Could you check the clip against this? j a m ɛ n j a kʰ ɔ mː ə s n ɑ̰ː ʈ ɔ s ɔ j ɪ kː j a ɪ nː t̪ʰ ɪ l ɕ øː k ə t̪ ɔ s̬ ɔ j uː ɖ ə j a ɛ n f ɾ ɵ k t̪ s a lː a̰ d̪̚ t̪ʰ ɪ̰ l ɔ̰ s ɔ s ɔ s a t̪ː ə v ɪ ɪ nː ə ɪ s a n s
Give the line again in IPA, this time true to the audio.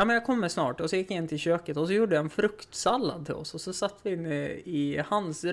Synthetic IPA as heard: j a m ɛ n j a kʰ ɔ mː ə s n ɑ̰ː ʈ ɔ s ɔ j ɪ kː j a ɪ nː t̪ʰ ɪ l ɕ øː k ə t̪ ɔ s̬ ɔ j uː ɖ ə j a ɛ n f ɾ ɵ k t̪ s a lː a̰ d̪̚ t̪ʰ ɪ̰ l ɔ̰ s ɔ s ɔ s a t̪ː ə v ɪ ɪ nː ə ɪ h a n s